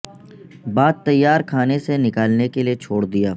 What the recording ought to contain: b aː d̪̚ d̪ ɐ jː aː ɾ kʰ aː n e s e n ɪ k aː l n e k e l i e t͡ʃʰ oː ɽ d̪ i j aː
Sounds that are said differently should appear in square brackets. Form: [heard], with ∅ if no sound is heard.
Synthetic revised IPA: b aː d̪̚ [t̪] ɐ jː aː ɾ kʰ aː n e s e n ɪ k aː l n e k e l i e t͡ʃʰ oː ɽ d̪ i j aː